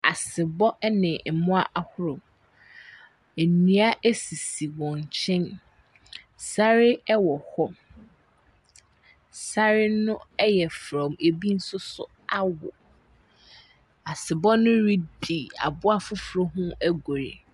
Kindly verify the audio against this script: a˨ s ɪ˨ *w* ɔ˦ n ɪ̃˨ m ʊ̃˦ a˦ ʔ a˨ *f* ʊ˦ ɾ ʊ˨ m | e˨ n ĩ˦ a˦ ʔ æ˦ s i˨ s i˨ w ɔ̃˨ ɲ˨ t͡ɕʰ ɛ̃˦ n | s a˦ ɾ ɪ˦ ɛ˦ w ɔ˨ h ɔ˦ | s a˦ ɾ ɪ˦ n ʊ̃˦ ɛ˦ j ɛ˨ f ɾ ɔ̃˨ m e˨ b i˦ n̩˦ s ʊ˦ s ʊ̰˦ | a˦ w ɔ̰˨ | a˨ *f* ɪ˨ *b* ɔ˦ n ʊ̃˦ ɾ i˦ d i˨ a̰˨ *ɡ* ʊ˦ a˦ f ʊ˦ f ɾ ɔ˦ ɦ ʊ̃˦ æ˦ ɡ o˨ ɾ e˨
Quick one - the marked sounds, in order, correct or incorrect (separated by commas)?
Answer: incorrect, incorrect, incorrect, correct, incorrect